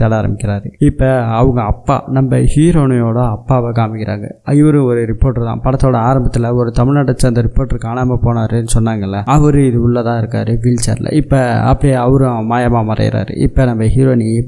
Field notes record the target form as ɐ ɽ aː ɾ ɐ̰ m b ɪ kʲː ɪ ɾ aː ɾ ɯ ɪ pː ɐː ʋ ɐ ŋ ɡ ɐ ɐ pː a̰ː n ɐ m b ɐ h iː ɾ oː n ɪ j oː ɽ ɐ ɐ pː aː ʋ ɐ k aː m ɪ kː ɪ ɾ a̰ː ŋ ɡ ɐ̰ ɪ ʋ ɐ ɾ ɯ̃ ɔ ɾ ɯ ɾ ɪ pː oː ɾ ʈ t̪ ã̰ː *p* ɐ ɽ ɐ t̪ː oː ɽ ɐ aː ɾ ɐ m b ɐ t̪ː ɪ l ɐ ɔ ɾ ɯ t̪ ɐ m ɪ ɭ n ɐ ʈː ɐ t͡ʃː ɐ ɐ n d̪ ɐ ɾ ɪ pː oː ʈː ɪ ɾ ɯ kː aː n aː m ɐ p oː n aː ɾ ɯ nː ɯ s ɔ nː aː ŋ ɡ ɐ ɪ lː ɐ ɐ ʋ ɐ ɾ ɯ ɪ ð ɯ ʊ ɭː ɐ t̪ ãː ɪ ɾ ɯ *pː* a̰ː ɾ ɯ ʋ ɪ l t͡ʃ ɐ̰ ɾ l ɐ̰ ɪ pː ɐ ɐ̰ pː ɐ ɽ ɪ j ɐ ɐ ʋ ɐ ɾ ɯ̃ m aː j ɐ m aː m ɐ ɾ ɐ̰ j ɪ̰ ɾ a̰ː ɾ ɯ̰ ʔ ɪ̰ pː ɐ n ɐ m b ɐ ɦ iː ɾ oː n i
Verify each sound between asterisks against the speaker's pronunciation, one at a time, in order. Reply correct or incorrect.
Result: correct, incorrect

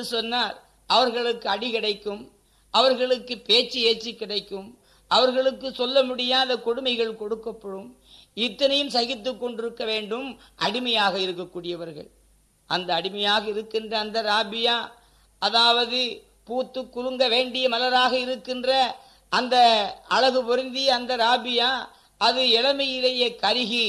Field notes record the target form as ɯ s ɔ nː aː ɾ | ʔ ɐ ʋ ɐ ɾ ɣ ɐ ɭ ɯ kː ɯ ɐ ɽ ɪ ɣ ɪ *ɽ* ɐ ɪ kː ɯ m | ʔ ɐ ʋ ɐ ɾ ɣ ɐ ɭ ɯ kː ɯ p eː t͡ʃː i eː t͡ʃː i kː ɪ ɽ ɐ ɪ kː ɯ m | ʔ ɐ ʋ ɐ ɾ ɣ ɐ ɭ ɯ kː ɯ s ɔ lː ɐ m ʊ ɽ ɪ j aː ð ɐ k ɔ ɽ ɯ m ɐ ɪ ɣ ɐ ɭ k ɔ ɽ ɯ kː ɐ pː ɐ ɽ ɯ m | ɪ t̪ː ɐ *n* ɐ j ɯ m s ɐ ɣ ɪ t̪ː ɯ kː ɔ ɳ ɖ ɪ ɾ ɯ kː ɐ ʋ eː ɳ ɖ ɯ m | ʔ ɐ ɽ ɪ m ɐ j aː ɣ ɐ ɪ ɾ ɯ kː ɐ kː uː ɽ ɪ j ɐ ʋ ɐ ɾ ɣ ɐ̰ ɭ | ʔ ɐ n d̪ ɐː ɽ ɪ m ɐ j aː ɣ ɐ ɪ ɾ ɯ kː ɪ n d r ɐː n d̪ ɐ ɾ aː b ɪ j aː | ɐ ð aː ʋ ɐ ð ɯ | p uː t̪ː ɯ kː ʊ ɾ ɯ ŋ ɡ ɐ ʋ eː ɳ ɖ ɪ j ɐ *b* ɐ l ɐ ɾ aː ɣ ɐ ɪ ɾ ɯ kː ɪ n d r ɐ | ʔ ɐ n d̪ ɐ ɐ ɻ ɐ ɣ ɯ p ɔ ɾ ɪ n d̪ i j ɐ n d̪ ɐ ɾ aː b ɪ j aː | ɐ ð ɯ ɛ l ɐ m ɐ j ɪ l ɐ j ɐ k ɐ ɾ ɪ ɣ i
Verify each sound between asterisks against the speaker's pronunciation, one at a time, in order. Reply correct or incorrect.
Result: correct, correct, incorrect

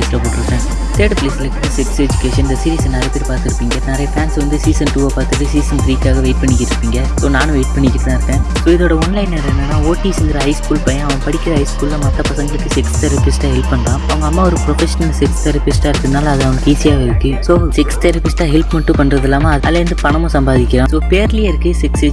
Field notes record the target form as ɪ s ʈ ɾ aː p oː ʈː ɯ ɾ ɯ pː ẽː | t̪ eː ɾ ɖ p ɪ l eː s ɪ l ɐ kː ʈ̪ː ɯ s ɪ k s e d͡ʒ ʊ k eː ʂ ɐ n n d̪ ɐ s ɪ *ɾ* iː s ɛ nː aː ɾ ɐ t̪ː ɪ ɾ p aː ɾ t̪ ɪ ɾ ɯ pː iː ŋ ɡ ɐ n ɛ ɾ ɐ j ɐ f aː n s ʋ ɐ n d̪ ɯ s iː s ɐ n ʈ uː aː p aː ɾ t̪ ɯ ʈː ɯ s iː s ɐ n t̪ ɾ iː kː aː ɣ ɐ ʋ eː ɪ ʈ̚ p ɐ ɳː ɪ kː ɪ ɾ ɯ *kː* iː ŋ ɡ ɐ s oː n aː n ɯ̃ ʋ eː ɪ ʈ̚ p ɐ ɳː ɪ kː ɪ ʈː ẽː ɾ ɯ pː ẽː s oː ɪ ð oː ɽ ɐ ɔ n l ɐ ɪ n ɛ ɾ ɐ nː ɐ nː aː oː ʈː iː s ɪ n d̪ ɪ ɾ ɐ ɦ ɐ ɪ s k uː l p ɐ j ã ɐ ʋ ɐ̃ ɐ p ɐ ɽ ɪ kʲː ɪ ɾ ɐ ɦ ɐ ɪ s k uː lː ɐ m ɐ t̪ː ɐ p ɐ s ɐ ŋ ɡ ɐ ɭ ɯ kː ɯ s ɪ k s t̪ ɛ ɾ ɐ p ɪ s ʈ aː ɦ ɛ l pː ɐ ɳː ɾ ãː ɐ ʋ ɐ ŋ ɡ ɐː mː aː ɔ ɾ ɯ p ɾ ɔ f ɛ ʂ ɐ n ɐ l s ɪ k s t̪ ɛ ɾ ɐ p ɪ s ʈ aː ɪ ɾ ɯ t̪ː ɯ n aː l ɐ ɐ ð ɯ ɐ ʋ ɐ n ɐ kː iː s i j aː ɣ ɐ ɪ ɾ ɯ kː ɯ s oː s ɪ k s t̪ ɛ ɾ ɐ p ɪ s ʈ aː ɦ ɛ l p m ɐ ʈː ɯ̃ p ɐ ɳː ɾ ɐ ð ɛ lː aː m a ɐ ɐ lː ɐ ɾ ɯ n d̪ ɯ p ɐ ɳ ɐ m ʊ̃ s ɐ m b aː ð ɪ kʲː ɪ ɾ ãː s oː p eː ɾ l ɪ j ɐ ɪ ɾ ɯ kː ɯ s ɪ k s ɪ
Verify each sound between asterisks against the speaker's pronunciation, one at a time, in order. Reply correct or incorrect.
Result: correct, incorrect

